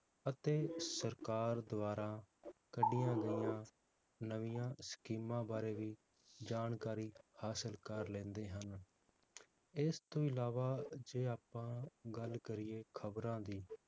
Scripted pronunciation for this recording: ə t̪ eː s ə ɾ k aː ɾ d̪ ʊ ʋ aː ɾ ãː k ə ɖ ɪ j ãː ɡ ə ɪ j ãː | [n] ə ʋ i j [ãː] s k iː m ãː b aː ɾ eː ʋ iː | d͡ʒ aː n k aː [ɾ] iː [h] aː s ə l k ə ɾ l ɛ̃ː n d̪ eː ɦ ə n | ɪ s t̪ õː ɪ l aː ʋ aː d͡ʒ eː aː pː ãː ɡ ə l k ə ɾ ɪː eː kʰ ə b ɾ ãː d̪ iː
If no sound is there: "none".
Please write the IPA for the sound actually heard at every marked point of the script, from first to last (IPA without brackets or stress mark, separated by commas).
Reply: n, ãː, ɾ, h